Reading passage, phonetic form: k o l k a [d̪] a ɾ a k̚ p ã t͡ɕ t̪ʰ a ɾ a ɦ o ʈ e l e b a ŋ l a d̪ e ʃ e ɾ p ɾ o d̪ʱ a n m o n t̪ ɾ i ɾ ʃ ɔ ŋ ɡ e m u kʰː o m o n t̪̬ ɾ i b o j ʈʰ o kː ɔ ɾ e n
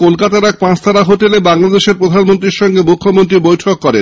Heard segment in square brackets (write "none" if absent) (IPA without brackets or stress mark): t̪